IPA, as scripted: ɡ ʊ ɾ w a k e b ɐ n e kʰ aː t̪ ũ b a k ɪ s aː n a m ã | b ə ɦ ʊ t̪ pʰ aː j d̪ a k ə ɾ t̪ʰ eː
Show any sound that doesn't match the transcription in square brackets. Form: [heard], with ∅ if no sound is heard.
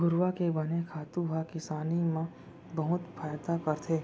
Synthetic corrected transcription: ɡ ʊ ɾ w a k e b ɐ n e kʰ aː t̪ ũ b a k ɪ s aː n [i] m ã | b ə ɦ ʊ t̪ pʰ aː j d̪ a k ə ɾ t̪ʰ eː